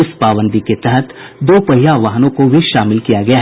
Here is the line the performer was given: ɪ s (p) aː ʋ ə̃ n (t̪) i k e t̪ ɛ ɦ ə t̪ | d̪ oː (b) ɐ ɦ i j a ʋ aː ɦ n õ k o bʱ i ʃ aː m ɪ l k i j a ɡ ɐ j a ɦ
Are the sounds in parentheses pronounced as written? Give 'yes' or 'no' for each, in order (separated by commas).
yes, no, no